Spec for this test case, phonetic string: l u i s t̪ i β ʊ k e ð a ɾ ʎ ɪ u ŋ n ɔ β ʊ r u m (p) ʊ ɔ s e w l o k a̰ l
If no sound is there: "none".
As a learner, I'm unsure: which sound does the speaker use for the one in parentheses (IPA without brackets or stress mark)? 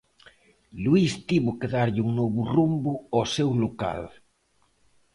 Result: b